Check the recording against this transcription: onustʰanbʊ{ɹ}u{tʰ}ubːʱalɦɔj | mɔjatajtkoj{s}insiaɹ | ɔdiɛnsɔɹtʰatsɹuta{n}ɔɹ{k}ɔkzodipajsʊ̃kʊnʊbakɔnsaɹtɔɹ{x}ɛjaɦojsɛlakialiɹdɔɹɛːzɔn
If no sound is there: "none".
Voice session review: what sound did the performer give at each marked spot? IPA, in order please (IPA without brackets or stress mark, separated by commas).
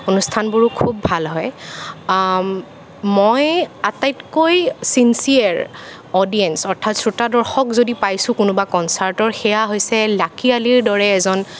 ɹ, kʰ, s, d, x, x